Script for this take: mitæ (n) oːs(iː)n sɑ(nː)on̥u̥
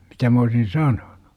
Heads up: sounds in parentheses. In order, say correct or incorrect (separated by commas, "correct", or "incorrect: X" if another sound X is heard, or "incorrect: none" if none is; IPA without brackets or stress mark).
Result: incorrect: m, incorrect: i, incorrect: n